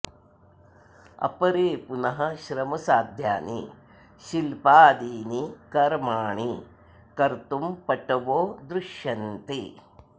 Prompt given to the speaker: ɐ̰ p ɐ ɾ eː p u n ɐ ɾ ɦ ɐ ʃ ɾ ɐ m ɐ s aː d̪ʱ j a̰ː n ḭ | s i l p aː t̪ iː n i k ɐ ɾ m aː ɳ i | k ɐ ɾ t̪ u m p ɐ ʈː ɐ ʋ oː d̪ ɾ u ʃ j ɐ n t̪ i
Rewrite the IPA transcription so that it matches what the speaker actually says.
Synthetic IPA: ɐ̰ p ɐ ɾ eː p u n ɐ ɦ ɐ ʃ ɾ ɐ m ɐ s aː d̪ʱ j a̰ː n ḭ | ʃ i l p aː d̪ iː n i k ɐ ɾ m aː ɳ i | k ɐ ɾ t̪ u m p ɐ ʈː ɐ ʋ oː d̪ ɾ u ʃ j ɐ n t̪ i